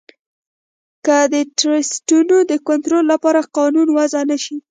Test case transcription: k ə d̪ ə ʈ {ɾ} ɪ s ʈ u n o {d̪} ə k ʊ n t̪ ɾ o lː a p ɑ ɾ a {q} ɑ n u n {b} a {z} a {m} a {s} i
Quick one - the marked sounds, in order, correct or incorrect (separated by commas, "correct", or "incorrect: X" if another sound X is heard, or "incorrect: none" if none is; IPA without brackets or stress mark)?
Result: correct, correct, correct, incorrect: w, correct, incorrect: n, incorrect: ʃ